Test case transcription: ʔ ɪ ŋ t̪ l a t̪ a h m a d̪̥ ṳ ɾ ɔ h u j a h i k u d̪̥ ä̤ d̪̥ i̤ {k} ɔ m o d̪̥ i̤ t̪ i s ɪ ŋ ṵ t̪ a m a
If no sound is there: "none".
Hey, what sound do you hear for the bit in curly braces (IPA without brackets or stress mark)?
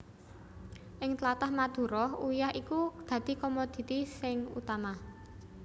k